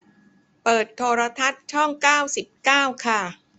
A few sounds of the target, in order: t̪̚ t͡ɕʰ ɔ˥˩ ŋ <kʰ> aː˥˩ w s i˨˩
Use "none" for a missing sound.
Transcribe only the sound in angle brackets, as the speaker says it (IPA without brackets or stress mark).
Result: k